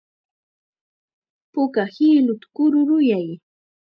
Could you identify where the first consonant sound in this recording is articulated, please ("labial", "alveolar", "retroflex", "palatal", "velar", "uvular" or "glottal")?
labial